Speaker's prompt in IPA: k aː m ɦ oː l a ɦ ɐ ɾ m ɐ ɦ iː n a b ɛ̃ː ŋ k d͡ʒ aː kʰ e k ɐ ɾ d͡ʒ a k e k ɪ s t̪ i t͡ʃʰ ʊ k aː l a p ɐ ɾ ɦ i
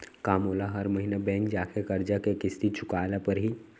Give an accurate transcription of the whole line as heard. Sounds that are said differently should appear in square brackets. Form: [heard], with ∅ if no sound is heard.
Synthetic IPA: k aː m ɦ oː l a ɦ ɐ ɾ m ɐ ɦ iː n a b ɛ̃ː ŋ k d͡ʒ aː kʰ e k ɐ ɾ d͡ʒ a k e k ɪ s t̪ i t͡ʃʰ ʊ k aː l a p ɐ ɾ ɦ i